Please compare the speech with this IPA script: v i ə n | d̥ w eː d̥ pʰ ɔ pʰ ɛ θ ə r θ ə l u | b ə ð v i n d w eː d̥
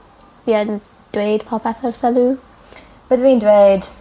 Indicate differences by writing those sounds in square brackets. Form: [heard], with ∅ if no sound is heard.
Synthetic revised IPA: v i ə n | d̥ w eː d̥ pʰ ɔ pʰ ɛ θ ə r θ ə l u | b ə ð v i n d w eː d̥